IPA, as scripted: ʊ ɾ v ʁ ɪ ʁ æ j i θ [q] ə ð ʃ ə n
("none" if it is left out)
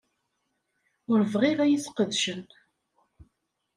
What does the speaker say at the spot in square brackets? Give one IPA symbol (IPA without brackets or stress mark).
q